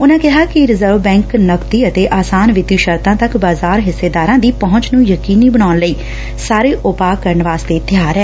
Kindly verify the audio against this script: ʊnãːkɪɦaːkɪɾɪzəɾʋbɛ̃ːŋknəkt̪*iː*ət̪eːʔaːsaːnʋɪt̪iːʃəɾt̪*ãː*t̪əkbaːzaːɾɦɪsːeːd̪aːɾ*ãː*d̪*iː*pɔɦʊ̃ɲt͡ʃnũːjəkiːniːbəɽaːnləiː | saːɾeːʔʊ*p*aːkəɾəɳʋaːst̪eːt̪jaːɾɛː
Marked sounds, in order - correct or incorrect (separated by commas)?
correct, correct, correct, correct, correct